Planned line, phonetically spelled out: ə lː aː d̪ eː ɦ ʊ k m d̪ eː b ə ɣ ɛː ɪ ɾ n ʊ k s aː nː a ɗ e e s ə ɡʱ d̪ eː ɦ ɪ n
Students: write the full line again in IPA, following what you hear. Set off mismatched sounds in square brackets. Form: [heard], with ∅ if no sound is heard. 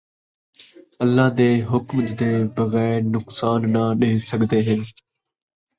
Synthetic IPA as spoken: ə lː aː d̪ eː ɦ ʊ k m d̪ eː b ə ɣ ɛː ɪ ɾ n ʊ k s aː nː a ɗ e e s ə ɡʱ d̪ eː ɦ ɪ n